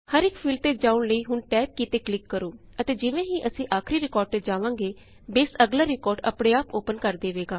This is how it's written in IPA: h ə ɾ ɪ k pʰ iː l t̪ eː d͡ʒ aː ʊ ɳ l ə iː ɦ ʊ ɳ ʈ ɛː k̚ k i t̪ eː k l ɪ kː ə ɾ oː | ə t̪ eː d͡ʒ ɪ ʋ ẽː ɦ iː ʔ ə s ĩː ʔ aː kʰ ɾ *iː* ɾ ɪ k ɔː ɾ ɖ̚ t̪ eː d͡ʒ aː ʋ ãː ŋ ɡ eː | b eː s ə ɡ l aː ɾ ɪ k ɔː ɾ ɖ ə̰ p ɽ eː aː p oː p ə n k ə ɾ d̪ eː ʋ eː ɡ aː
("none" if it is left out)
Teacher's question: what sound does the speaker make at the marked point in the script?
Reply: iː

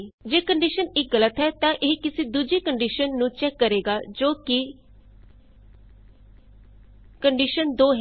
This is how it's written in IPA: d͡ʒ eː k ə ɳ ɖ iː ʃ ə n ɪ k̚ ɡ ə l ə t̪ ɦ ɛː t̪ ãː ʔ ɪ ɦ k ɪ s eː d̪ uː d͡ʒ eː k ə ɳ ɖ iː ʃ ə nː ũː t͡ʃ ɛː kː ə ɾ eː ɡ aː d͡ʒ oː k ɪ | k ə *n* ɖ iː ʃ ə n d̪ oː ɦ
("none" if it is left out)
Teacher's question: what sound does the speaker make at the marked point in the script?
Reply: ɳ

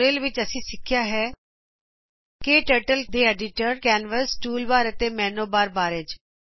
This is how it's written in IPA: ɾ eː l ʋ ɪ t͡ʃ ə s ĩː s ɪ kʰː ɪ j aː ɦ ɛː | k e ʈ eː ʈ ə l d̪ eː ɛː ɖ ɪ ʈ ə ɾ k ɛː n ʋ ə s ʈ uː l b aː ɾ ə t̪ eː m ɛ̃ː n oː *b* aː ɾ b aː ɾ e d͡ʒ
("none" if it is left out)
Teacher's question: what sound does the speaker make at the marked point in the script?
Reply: b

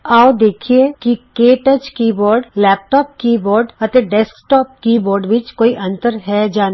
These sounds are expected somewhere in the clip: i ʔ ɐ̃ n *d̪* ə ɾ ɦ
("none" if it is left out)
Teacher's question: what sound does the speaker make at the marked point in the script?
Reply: t̪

